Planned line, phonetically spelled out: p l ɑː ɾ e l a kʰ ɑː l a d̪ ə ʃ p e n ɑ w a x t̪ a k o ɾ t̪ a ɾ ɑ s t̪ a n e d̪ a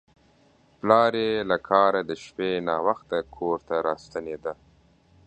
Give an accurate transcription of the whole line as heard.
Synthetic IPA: p l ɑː ɾ e l a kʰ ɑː ɾ a d̪ ə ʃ p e n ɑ w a x t̪ a kʰ o ɾ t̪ a ɾ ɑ s t̪ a n e d̪ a